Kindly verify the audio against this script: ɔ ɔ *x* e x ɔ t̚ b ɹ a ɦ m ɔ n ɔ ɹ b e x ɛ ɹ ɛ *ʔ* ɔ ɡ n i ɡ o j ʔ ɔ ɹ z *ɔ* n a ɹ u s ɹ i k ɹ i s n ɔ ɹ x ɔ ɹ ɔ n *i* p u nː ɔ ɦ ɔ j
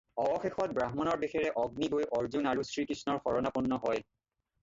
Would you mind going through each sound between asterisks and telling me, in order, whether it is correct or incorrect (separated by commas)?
correct, correct, incorrect, incorrect